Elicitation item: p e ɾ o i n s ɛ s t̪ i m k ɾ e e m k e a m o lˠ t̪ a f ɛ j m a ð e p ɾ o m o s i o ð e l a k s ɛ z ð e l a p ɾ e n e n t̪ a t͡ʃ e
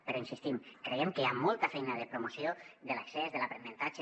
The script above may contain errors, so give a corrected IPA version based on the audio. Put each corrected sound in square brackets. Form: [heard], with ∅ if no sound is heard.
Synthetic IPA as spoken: p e ɾ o i n s [i] s t̪ i m k ɾ e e m k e a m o lˠ t̪ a f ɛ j [n] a ð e p ɾ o m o s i o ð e l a k s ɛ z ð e l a p ɾ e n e n t̪ a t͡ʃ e